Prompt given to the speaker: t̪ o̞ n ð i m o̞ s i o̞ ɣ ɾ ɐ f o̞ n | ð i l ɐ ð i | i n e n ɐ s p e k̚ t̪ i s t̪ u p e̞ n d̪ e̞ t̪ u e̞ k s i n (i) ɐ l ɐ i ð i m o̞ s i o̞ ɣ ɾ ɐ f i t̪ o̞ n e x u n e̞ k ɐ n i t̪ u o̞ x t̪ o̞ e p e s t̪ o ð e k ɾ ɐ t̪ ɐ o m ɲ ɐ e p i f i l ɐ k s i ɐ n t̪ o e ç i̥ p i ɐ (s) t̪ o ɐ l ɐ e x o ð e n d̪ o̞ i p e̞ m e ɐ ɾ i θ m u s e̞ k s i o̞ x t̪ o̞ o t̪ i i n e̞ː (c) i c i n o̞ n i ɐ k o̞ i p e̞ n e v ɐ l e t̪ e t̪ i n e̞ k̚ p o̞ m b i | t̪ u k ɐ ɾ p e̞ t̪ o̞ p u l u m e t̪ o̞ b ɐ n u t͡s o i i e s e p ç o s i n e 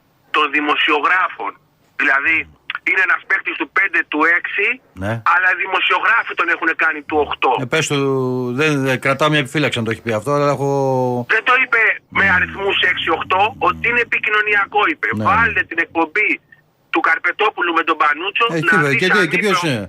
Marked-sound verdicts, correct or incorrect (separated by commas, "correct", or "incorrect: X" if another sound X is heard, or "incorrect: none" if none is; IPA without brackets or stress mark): incorrect: e, incorrect: f, incorrect: p